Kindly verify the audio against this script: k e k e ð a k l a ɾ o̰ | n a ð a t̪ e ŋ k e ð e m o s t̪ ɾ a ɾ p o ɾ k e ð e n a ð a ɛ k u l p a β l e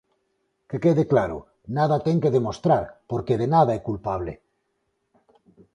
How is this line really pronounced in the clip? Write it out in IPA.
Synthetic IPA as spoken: k e k e ð e k l a ɾ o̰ | n a ð a t̪ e ŋ k e ð e m o s t̪ ɾ a ɾ p o ɾ k e ð e n a ð a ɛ k u l p a β l e